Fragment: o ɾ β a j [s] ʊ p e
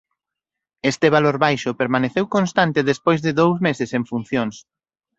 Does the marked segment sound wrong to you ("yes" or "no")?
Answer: yes